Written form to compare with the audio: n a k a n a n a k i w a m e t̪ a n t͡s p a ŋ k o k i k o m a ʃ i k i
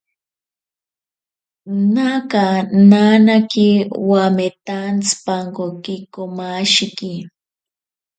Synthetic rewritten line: n a k a n a n a k i w a m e t̪ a n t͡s p a ŋ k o k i k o m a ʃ i k i